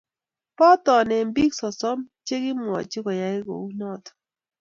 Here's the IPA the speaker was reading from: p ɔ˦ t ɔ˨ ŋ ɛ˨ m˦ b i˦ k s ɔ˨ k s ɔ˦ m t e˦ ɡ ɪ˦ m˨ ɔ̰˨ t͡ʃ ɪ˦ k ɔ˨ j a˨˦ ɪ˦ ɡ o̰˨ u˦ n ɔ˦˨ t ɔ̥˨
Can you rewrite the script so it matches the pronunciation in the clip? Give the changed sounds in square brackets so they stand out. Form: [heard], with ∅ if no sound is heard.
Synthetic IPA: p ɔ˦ t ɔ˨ [n] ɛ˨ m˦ b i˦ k s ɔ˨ [∅] s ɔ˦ m [t͡ʃ] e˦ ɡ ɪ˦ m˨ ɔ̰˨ t͡ʃ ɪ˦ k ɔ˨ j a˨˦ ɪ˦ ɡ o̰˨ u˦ n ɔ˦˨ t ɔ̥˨